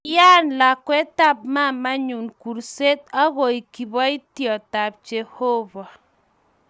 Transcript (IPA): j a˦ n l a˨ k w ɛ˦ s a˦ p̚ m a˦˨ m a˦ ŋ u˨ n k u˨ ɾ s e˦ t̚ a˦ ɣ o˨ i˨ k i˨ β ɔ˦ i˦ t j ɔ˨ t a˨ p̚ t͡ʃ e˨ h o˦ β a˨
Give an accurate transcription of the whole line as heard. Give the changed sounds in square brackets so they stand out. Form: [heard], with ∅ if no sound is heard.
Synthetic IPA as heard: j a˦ n l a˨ k w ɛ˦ [t] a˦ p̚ m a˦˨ m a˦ [ɲ] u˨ n k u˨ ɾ s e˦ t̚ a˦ ɣ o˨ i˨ k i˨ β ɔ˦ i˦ t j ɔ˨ t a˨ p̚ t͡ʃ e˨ h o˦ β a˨